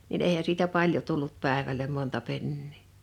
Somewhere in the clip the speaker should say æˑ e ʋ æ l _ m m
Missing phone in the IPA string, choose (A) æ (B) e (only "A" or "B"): B